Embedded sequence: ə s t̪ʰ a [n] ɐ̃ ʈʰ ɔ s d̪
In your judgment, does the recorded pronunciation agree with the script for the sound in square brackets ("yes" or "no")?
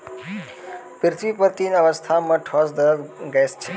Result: no